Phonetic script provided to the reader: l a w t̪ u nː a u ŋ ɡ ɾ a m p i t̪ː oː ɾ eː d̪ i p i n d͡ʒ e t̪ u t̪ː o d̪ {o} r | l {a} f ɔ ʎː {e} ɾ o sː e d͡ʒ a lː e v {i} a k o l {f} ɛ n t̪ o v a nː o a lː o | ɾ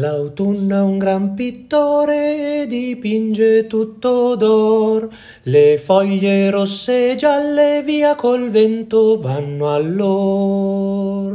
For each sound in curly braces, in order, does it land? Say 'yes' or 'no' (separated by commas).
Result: no, no, yes, no, no